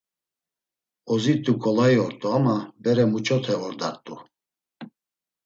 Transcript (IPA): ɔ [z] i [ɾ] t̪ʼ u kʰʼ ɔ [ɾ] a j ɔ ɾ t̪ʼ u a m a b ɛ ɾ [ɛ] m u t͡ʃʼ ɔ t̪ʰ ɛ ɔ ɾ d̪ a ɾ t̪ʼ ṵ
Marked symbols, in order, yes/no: yes, no, no, yes

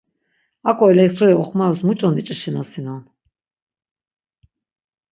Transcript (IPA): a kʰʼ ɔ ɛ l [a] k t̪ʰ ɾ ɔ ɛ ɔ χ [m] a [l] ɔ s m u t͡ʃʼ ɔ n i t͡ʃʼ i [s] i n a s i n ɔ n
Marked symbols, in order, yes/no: no, yes, no, no

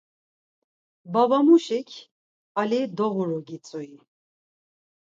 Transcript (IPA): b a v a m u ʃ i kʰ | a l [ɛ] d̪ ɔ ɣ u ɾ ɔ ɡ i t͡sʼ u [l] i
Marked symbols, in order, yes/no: no, no

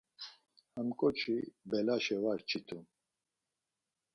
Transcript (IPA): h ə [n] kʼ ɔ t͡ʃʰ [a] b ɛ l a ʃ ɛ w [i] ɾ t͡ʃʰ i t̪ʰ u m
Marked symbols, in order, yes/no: no, no, no

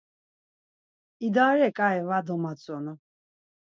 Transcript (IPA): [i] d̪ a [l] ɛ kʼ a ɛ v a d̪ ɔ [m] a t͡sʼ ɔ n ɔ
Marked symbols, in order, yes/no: yes, no, yes

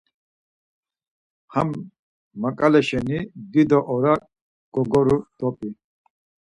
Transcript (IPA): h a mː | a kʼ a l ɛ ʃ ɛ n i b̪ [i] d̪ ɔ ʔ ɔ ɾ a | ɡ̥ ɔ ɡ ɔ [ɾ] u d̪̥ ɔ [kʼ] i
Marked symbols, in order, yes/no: yes, yes, no

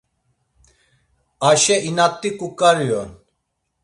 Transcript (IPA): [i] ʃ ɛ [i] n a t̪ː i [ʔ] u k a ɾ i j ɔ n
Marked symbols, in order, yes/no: no, yes, no

